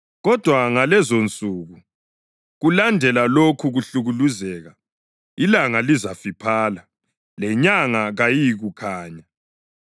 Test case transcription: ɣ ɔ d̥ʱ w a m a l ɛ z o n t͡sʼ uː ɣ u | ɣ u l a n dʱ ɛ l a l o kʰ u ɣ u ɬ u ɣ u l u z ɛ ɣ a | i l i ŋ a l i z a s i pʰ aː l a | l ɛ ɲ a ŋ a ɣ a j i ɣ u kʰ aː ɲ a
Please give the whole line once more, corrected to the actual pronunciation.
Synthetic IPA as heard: ɣ ɔ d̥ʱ w a ŋ a l ɛ z o n t͡sʼ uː ɣ u | ɣ u l a n dʱ ɛ l a l o kʰ u ɣ u ɬ u ɣ u l u z ɛ ɣ a | i l a ŋ a l i z a f i pʰ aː l a | l ɛ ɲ a ŋ a ɣ a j i ɣ u kʰ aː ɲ a